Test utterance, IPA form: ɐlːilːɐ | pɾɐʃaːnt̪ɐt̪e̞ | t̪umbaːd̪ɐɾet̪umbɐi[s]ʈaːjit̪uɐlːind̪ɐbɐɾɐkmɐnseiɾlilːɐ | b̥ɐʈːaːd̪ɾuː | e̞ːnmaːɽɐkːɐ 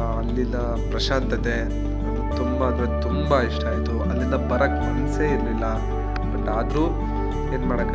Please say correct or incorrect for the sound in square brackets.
incorrect